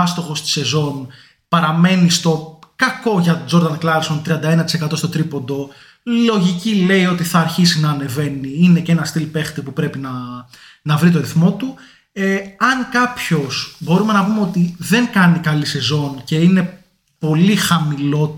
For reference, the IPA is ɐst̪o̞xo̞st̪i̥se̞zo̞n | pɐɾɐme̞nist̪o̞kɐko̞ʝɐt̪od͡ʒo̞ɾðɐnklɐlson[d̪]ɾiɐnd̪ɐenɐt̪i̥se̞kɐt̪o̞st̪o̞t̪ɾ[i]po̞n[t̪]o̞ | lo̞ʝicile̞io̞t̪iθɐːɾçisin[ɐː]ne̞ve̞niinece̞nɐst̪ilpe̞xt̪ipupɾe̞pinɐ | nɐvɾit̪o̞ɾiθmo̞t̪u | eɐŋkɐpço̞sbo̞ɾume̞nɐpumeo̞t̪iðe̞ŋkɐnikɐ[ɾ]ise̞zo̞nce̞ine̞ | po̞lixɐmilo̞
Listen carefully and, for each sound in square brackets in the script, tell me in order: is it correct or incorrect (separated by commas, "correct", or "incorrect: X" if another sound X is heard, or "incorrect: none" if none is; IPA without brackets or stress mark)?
incorrect: t̪, correct, incorrect: d̪, correct, incorrect: l